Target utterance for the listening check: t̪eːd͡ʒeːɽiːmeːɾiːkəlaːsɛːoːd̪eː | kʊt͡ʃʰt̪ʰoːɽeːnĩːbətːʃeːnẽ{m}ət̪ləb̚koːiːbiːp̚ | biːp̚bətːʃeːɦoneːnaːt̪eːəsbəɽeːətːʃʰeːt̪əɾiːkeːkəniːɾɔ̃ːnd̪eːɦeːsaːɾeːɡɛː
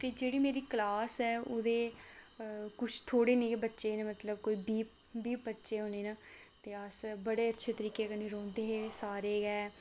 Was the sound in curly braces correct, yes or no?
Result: yes